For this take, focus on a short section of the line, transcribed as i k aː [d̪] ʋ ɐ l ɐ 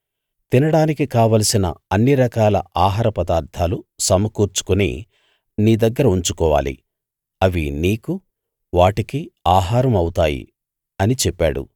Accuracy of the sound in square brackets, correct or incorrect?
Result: incorrect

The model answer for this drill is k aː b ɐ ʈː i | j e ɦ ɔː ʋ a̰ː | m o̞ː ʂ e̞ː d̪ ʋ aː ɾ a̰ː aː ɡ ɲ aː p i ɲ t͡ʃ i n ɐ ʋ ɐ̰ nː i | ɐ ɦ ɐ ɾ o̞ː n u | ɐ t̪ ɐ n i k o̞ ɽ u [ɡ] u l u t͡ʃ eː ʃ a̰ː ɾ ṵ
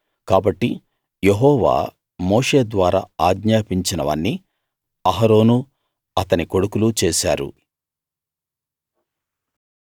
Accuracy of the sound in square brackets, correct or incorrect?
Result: incorrect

